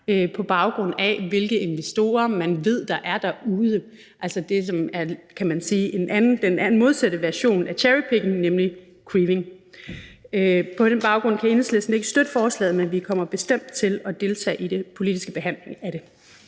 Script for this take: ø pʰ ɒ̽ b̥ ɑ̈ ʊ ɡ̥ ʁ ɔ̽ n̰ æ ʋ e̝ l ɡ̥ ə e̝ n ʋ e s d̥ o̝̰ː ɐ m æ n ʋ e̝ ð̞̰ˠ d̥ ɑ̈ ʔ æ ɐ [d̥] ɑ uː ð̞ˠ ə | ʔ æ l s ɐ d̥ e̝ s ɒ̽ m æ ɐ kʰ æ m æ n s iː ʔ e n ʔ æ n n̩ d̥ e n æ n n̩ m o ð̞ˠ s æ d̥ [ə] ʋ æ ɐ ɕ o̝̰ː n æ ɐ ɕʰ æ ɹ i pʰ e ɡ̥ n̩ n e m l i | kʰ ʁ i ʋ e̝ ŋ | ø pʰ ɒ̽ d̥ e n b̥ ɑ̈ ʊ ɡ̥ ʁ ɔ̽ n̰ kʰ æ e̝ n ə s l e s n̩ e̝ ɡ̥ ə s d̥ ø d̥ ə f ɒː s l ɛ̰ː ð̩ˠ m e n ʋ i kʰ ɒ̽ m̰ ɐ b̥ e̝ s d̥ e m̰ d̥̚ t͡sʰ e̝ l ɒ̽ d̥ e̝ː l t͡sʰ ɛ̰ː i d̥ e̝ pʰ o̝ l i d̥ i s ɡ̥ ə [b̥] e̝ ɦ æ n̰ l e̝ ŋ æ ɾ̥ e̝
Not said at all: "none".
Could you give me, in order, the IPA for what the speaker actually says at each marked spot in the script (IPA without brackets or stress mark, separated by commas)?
d̥, ə, b̥